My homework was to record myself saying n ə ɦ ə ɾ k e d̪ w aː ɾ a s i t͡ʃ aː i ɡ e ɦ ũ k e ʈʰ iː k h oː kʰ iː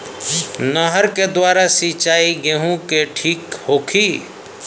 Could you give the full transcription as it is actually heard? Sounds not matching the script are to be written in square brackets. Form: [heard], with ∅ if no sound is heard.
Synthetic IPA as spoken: n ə ɦ ə ɾ k e d̪ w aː ɾ a s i t͡ʃ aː i ɡ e ɦ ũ k e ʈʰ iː k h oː kʰ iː

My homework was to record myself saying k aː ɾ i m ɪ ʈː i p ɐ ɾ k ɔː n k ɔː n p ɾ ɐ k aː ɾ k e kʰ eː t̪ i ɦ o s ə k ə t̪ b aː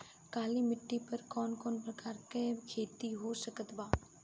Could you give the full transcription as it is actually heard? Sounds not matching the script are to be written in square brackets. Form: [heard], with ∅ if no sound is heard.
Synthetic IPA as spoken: k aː [l] i m ɪ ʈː i p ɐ ɾ k ɔː n k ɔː n p ɾ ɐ k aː ɾ k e kʰ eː t̪ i ɦ o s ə k ə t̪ b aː

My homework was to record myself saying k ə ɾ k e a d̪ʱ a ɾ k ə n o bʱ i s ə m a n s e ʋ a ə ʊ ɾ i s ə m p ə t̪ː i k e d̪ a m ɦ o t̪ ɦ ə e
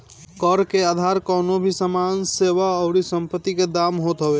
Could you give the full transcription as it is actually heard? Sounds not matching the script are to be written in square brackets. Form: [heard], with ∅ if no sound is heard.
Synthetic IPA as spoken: k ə ɾ k e a d̪ʱ a ɾ k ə n o bʱ i s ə m a n s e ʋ a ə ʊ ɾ i s ə m p ə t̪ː i k e d̪ a m ɦ o t̪ ɦ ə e

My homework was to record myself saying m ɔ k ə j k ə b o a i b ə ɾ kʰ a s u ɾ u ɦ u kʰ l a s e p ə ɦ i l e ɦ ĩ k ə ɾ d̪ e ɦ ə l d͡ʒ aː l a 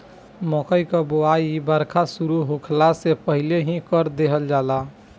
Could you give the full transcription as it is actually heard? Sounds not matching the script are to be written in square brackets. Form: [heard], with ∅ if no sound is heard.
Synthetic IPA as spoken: m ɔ k ə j k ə b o a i b ə ɾ kʰ a s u ɾ u ɦ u kʰ l a s e p ə ɦ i l e ɦ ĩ k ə ɾ d̪ e ɦ ə l d͡ʒ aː l a

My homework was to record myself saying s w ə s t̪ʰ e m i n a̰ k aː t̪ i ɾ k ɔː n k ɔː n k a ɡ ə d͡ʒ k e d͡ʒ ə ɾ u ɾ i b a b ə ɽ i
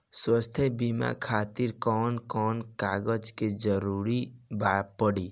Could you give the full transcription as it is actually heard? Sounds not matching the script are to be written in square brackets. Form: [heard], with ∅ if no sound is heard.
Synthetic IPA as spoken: s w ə s t̪ʰ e [b] i [m] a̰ [kʰ] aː t̪ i ɾ k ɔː n k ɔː n k a ɡ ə d͡ʒ k e d͡ʒ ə ɾ u ɾ i b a [p] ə ɽ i

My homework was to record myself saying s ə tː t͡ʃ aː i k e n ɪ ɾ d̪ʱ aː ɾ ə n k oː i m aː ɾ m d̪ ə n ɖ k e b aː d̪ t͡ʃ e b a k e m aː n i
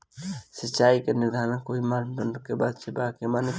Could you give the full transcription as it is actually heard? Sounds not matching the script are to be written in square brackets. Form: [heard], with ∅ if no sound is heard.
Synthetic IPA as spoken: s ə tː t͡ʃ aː i k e n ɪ ɾ d̪ʱ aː ɾ ə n k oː i m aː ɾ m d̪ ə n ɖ k e b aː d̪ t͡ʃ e b a k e m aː n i

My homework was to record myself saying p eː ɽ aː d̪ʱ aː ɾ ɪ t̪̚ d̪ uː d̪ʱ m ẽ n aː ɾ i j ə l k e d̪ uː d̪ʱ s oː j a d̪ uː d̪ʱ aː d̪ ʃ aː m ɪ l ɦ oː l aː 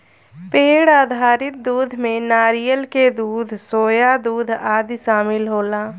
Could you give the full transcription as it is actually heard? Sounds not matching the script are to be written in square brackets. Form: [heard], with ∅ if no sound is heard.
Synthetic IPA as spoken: p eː ɽ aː d̪ʱ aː ɾ ɪ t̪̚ d̪ uː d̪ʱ m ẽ n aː ɾ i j ə l k e d̪ uː d̪ʱ s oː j a d̪ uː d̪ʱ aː d̪ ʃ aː m ɪ l ɦ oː l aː

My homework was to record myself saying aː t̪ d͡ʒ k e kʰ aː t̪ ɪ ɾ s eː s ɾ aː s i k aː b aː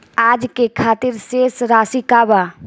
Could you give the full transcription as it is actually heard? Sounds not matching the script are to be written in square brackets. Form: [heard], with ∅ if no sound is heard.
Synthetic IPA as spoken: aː [∅] d͡ʒ k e kʰ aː t̪ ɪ ɾ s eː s ɾ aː s i k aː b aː

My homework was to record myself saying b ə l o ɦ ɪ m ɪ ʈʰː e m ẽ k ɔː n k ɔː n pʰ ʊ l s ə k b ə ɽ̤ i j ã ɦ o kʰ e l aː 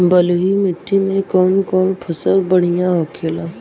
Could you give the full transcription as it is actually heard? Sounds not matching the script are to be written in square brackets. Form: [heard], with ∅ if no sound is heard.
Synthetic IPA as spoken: b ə l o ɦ [i] m ɪ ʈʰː [i] m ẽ k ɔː n k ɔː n pʰ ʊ [∅] s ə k b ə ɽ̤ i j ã ɦ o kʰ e l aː

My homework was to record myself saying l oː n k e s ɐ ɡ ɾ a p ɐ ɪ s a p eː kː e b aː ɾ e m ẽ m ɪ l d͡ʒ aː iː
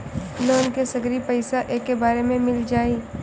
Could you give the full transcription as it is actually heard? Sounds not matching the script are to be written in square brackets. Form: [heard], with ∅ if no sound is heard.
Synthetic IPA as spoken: l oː n k e s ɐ ɡ ɾ [i] p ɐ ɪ s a [ʔ] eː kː e b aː ɾ e m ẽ m ɪ l d͡ʒ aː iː

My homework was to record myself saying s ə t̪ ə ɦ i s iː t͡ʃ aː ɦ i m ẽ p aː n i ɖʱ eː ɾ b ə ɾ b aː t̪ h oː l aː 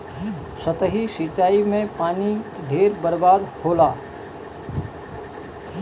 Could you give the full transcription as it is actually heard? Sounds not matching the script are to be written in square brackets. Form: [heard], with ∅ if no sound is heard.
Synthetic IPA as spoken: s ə t̪ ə ɦ i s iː t͡ʃ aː [∅] i m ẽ p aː n i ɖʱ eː ɾ b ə ɾ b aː [d̪] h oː l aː

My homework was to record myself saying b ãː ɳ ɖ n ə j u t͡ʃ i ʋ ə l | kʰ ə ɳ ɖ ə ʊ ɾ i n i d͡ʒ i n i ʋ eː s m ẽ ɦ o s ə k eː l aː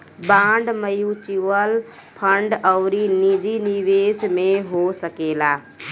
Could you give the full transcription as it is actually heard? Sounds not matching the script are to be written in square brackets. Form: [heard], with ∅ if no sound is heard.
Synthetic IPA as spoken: b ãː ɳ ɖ [m] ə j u t͡ʃ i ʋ ə l | [pʰ] ə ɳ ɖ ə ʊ ɾ i n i d͡ʒ i n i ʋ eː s m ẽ ɦ o s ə k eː l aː

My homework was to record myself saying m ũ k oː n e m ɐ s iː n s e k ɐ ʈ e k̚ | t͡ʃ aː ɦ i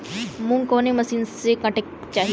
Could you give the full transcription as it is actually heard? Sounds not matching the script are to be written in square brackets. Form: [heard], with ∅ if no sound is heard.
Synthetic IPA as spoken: m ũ k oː n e m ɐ s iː n s e k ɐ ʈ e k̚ | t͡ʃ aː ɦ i

